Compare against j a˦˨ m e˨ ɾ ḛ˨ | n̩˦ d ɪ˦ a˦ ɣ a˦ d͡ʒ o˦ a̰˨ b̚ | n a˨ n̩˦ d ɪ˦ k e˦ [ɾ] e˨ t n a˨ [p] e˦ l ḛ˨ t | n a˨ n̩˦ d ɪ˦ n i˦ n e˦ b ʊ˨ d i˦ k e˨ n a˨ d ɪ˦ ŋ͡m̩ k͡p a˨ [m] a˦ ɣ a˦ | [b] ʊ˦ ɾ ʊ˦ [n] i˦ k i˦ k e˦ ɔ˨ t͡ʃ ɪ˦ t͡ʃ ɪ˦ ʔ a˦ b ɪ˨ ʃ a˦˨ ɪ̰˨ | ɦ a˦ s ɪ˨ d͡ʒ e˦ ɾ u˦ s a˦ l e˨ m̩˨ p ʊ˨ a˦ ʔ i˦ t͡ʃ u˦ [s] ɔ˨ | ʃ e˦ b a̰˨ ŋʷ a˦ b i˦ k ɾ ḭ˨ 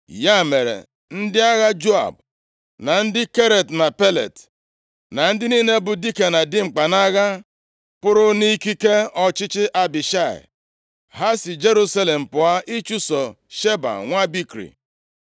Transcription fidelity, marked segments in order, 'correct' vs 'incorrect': correct, correct, incorrect, incorrect, correct, correct

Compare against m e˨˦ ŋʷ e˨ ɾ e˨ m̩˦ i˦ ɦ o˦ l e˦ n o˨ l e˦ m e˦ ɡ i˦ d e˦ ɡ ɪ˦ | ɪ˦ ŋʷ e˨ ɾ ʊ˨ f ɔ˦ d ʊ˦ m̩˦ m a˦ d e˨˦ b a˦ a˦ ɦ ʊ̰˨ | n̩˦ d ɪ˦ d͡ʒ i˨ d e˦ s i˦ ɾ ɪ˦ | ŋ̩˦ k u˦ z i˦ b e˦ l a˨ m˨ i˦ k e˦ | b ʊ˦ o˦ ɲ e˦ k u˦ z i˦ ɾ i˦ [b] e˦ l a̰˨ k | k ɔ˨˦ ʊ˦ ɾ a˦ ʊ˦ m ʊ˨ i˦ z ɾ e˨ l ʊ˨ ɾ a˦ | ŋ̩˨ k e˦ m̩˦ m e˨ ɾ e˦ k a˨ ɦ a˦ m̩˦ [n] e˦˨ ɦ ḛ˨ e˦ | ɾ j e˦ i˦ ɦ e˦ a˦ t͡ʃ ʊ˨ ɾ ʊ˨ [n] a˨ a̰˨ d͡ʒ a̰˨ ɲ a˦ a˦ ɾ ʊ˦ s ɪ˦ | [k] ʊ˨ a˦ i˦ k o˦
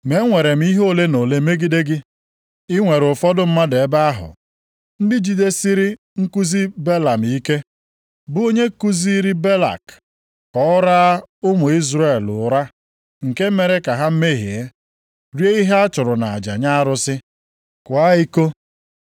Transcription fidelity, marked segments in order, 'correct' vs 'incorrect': correct, incorrect, correct, correct

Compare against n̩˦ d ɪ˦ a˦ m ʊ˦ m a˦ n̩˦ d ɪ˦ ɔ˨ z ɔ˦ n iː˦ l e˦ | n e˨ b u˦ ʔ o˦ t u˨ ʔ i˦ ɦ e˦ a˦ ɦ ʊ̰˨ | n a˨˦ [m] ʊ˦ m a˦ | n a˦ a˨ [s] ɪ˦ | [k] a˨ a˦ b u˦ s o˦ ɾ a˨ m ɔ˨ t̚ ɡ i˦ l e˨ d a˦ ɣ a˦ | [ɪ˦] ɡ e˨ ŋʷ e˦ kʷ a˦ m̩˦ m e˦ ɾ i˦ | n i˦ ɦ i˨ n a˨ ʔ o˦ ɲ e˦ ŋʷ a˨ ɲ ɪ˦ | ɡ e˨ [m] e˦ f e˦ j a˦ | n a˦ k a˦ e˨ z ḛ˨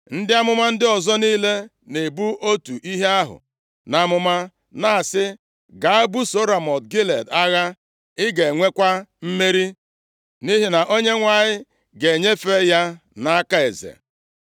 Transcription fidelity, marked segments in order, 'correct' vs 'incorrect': correct, correct, incorrect, correct, incorrect

